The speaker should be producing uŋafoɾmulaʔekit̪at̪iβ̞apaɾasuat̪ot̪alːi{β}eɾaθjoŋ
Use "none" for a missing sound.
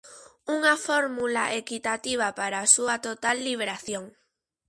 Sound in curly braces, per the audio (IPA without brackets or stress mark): β